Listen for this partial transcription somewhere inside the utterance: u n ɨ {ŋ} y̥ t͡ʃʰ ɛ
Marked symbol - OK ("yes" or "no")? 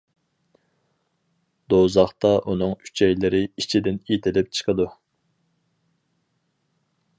yes